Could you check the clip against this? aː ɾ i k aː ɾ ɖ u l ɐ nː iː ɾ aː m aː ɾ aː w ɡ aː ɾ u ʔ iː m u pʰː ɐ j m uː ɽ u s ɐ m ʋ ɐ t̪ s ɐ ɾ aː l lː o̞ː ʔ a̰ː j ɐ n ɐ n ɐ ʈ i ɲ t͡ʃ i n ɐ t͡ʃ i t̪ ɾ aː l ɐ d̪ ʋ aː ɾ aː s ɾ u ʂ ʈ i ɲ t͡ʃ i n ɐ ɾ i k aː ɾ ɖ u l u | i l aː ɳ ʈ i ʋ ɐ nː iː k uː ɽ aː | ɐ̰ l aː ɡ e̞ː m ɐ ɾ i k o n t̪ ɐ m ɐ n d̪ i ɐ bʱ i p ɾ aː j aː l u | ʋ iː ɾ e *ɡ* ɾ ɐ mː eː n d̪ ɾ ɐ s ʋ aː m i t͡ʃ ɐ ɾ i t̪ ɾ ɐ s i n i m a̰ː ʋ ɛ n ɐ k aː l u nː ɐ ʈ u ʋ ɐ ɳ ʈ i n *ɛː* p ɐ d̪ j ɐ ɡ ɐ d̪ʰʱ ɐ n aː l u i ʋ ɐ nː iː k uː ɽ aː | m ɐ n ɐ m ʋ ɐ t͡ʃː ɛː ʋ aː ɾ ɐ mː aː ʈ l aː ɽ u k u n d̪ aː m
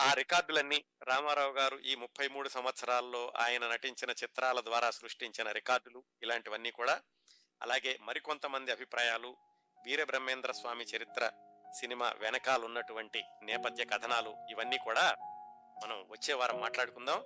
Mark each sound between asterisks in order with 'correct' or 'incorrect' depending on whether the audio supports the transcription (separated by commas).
incorrect, correct